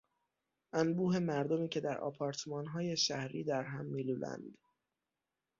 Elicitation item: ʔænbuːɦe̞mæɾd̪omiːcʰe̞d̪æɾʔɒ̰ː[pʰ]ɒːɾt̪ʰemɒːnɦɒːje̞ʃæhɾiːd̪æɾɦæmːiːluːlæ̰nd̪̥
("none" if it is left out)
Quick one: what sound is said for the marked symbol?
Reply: pʰ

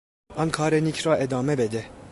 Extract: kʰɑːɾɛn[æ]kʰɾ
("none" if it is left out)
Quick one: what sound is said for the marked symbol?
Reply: i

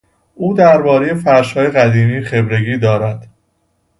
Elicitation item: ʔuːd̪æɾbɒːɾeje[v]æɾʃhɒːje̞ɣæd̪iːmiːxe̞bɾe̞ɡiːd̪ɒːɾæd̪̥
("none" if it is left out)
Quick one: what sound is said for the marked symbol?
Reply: f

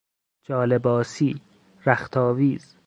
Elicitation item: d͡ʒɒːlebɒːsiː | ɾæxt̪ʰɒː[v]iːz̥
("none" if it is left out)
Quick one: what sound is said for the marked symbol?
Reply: v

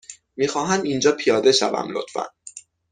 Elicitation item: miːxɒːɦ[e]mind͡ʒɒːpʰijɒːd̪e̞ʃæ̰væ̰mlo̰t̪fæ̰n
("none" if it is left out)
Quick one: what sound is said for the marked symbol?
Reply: æ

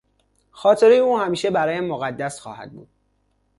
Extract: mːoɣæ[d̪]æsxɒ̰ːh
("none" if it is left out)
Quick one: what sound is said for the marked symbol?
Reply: d̪ː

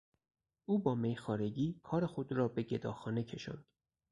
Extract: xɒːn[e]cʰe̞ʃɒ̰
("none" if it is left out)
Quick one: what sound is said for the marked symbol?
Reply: e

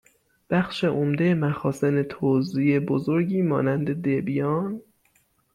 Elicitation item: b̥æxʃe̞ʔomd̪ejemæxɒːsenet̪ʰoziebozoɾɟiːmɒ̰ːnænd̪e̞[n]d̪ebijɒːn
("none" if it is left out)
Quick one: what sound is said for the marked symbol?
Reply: none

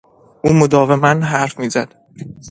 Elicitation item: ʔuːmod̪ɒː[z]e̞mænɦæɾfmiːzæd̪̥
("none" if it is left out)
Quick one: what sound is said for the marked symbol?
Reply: v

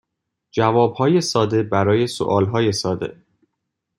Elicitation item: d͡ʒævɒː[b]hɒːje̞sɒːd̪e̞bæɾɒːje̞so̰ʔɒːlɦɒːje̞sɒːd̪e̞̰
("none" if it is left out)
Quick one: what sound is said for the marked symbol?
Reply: b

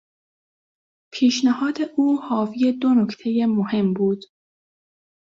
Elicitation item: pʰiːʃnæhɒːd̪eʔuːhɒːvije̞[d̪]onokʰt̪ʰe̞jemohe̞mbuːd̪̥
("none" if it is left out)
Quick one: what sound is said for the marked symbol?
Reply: d̪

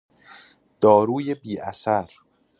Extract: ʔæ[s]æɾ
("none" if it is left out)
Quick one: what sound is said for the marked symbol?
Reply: s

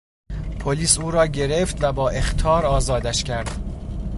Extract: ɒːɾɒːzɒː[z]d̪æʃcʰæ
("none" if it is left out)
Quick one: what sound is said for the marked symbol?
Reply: none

